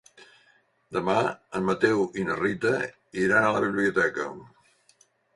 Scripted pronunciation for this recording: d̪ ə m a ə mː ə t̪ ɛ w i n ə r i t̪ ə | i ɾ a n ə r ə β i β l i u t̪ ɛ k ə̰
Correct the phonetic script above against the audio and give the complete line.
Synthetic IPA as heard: d̪ ə m a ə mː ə t̪ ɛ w i n ə r i t̪ ə | i ɾ a n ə l ə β i β l i u t̪ ɛ k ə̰